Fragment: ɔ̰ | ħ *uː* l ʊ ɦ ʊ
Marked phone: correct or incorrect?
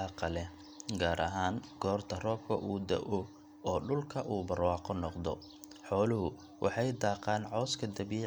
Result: incorrect